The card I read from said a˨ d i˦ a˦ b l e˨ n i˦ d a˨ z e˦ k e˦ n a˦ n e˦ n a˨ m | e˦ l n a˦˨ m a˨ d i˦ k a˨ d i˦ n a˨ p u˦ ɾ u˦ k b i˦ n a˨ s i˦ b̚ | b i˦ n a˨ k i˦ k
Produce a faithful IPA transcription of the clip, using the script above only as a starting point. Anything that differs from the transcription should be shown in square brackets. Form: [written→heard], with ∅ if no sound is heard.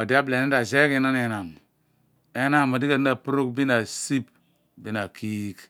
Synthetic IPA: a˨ d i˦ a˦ b l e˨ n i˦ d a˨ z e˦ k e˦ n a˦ n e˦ n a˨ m | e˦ [l→∅] n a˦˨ m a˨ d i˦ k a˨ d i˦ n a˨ p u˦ ɾ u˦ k b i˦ n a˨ s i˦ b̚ | b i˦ n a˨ k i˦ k